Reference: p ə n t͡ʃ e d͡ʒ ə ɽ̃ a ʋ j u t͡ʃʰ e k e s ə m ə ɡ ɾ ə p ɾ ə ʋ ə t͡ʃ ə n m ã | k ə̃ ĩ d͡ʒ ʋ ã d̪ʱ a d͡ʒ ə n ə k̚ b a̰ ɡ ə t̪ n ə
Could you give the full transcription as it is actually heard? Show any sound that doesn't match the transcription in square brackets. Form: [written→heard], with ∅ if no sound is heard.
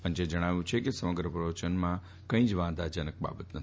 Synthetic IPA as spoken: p ə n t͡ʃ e d͡ʒ ə ɽ̃ a ʋ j [u→ũ] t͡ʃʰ e k e s ə m ə ɡ ɾ ə p ɾ ə ʋ ə t͡ʃ ə n m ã | k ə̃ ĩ d͡ʒ ʋ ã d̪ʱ a d͡ʒ ə n ə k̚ b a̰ [ɡ→b] ə t̪ n ə